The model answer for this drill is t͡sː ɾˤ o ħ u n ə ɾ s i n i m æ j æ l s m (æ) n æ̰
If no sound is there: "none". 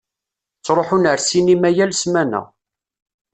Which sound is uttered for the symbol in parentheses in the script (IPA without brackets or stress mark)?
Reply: æ